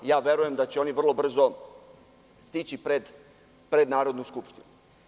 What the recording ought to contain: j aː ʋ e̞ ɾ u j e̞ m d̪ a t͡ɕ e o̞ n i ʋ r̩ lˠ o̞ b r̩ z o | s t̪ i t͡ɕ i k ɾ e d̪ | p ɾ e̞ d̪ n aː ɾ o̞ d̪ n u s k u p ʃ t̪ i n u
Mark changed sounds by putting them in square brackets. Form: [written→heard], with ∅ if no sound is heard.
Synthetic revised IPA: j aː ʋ e̞ ɾ u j e̞ m d̪ a t͡ɕ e o̞ n i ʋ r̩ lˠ o̞ b r̩ z o | s t̪ i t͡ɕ i [k→p] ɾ e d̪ | p ɾ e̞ d̪ n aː ɾ o̞ d̪ n u s k u p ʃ t̪ i n u